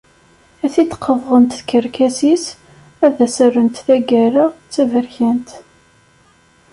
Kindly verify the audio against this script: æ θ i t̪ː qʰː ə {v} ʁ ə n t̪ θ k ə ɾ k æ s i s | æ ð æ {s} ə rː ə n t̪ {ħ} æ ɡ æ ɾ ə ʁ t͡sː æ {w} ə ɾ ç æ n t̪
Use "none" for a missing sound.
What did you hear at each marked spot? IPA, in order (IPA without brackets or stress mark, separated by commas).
v, s, θ, v